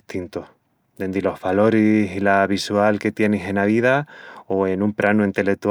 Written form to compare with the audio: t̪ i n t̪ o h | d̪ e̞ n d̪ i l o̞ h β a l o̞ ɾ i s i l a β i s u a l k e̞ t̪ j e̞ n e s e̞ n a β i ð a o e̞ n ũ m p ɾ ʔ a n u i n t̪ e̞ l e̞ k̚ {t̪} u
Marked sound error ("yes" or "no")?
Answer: no